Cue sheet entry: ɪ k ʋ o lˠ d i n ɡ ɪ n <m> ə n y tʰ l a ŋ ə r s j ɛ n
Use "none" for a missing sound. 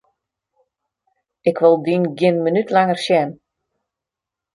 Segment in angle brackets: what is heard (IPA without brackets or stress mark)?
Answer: m